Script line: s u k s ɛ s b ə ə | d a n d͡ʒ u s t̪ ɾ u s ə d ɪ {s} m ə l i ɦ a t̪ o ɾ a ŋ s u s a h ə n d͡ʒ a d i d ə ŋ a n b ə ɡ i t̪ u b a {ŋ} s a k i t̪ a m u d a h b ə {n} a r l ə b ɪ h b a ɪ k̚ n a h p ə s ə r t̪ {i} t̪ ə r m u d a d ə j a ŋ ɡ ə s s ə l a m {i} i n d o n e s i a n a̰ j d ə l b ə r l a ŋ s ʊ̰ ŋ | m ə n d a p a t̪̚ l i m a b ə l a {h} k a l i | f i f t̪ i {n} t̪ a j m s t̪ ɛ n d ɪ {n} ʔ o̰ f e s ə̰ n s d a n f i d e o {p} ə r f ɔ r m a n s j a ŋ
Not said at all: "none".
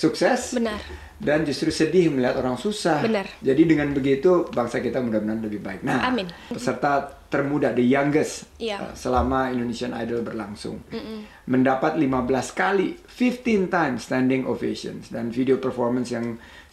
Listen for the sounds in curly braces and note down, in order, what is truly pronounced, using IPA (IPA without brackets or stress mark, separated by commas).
h, ŋ, n, a, a, s, n, ŋ, p